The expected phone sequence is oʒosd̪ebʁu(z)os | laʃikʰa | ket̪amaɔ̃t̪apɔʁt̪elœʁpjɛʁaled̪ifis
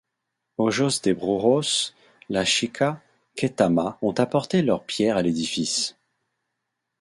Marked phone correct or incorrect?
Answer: incorrect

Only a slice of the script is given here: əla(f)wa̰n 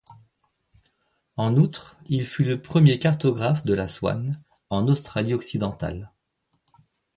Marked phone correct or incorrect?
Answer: incorrect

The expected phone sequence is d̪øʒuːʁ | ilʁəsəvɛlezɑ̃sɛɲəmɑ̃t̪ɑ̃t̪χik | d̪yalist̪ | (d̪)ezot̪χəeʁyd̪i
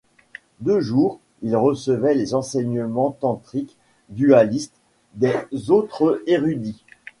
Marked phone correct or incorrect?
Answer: correct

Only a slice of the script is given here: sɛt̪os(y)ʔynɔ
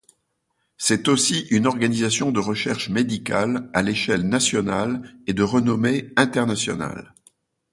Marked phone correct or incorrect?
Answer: incorrect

